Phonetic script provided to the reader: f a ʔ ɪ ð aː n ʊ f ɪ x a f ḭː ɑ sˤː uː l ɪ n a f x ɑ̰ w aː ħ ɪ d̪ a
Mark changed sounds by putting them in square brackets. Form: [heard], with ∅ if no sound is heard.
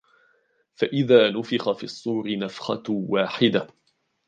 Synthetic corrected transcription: f a ʔ ɪ ð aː n ʊ f ɪ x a f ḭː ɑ sˤː uː [ɾ] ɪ n a f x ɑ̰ w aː ħ ɪ d̪ a

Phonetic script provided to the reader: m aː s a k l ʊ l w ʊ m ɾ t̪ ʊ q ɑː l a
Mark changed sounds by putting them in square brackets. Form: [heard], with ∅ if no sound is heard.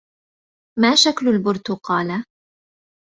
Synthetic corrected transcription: m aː [ʃ] a k l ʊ l [b] ʊ [∅] ɾ t̪ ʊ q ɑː l a

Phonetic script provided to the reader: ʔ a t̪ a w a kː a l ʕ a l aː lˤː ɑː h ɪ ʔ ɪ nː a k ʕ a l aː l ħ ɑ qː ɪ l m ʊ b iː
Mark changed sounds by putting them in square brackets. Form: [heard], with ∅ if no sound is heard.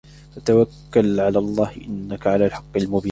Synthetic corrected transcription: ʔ a t̪ a w a kː a l ʕ a l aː lˤː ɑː h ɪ ʔ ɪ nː a k ʕ a l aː l ħ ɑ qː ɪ l m ʊ b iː

